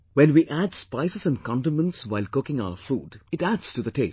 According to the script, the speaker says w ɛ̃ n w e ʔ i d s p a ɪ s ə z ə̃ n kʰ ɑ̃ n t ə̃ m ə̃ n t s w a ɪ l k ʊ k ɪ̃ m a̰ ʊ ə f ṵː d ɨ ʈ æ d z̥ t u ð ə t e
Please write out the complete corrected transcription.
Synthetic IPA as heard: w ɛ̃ n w i ʔ æ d s p a ɪ s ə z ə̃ n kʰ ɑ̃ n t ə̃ m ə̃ n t s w a ɪ l k ʊ k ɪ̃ ŋ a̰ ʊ ə f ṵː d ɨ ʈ æ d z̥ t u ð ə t e